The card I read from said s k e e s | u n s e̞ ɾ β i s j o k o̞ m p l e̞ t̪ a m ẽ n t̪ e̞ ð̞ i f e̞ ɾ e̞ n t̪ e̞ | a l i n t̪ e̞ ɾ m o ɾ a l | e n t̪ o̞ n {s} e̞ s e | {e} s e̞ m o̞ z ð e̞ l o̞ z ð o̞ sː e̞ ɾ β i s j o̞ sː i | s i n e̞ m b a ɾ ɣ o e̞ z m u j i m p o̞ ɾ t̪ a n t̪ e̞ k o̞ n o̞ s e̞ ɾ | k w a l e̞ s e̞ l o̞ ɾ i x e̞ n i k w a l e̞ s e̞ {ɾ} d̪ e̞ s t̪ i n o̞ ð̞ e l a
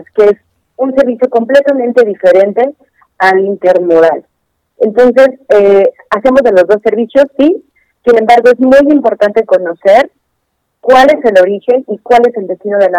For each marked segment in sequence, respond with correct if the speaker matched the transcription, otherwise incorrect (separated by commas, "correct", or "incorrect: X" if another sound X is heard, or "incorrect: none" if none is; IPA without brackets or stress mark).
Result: correct, incorrect: a, incorrect: l